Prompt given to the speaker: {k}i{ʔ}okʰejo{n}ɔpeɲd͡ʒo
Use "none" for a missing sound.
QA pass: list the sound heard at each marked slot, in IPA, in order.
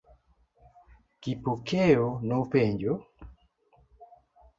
k, p, n

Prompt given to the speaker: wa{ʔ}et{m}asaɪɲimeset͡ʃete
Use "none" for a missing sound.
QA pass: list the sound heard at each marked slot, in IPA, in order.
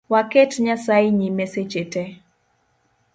k, ɲ

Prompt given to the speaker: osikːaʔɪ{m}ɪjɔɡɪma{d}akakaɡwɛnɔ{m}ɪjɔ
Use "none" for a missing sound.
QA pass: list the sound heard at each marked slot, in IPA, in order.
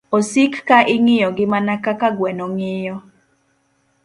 ŋ, n, ŋ

